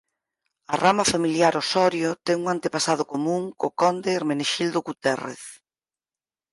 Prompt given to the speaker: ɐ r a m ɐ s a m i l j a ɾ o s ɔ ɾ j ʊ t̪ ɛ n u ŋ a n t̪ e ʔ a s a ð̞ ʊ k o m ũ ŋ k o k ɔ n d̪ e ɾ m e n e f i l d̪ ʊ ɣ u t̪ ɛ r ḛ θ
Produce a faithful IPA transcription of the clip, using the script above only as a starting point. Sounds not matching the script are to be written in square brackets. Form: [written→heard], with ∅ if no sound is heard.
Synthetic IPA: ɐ r a m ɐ [s→f] a m i l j a ɾ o s ɔ ɾ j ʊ t̪ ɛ [n→ŋ] u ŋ a n t̪ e [ʔ→p] a s a ð̞ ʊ k o m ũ ŋ k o k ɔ n d̪ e ɾ m e n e [f→ʃ] i l d̪ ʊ ɣ u t̪ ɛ r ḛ θ

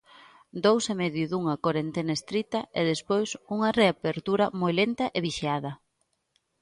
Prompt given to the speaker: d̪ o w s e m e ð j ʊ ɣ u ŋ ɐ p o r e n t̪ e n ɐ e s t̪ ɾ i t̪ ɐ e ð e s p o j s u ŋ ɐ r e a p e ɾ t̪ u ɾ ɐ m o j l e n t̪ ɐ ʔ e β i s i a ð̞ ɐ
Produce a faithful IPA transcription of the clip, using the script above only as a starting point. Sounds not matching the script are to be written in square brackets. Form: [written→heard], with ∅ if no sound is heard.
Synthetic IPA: d̪ o w s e m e ð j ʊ [ɣ→ð] u ŋ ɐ [p→k] o [r→ɾ] e n t̪ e n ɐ e s t̪ ɾ i t̪ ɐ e ð e s p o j s u ŋ ɐ r e a p e ɾ t̪ u ɾ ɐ m o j l e n t̪ ɐ ʔ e β i [s→ʃ] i a ð̞ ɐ

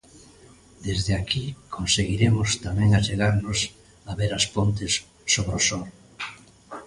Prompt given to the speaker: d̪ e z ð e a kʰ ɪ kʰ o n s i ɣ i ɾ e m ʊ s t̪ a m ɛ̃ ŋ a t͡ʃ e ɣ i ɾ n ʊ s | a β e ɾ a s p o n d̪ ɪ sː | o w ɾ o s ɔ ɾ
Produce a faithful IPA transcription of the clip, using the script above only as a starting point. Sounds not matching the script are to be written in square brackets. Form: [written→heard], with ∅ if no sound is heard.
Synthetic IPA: d̪ e z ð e a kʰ [ɪ→i] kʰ o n s [i→e] ɣ i ɾ e m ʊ s t̪ a m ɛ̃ ŋ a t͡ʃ e ɣ [i→a] ɾ n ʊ s | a β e ɾ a s p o n [d̪→t̪] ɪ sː | o [w→β] ɾ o s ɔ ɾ

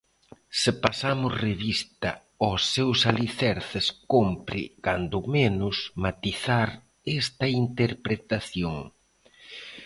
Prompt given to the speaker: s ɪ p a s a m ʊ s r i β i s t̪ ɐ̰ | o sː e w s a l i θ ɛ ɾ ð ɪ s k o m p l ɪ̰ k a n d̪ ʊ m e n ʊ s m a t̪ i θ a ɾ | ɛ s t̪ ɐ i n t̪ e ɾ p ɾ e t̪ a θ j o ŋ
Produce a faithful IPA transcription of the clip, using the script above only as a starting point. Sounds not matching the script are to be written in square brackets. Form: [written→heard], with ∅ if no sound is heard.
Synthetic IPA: s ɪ p a s a m ʊ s r [i→e] β i s t̪ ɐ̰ | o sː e w s a l i θ ɛ ɾ [ð→θ] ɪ s k o m p [l→ɾ] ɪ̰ k a n d̪ ʊ m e n ʊ s m a t̪ i θ a ɾ | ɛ s t̪ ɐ i n t̪ e ɾ p ɾ e t̪ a θ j o ŋ

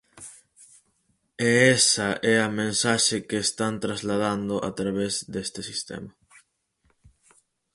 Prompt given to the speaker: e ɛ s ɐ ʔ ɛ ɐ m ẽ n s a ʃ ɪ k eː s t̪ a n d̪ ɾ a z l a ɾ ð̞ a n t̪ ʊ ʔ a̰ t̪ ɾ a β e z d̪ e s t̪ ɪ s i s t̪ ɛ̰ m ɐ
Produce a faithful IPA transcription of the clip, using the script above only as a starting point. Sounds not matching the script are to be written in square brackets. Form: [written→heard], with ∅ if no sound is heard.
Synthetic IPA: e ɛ s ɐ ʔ ɛ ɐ m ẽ n s a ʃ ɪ k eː s t̪ a n [d̪→t̪] ɾ a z l a [ɾ→∅] ð̞ a n [t̪→d̪] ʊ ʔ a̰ t̪ ɾ a β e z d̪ e s t̪ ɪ s i s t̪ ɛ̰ m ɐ

